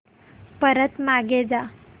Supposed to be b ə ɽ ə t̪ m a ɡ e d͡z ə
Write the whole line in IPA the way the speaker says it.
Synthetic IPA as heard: p ə ɾ ə t̪ m a ɡ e d͡z a